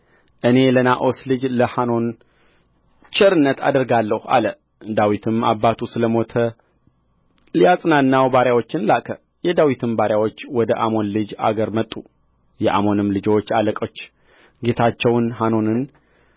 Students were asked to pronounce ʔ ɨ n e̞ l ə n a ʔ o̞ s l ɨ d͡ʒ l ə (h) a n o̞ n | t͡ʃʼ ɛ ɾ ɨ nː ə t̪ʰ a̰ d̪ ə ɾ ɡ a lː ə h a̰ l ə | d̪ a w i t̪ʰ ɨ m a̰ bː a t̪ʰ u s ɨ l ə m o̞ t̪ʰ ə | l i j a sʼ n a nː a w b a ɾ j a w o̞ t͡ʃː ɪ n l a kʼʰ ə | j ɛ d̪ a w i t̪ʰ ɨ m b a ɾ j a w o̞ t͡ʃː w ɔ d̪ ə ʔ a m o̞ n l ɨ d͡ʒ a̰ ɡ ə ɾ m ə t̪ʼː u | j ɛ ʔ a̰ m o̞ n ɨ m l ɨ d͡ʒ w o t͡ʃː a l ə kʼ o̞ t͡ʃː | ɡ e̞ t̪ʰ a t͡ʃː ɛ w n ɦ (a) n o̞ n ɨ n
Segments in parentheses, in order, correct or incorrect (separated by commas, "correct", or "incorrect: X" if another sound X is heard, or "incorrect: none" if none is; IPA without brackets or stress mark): correct, correct